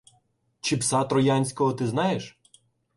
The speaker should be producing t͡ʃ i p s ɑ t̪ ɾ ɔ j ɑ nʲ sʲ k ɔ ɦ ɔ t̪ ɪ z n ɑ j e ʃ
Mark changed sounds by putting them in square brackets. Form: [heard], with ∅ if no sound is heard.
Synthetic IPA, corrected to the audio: t͡ʃ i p s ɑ t̪ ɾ ɔ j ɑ nʲ sʲ k ɔ ɦ ɔ t̪ ɪ z n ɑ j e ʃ